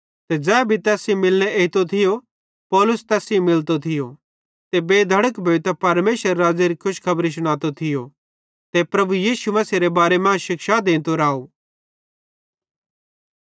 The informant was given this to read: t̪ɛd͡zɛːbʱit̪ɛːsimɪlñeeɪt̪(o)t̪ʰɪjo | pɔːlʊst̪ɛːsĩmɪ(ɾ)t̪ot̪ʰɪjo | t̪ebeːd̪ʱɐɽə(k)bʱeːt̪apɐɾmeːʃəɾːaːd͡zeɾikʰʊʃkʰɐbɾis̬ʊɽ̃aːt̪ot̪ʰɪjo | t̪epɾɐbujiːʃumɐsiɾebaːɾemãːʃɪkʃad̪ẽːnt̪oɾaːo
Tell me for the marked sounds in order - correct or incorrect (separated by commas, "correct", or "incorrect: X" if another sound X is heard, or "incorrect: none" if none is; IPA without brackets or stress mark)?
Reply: correct, incorrect: l, correct